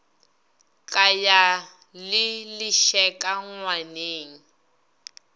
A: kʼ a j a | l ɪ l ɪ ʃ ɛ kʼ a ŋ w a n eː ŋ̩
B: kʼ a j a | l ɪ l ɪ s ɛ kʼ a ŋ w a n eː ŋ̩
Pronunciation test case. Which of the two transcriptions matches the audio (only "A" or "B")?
A